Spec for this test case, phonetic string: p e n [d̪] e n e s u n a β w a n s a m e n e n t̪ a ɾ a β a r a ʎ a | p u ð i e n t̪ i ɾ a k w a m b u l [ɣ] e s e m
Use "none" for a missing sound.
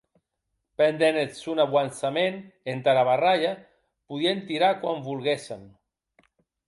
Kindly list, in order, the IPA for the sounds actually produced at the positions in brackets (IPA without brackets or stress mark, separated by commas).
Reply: d̪, ɣ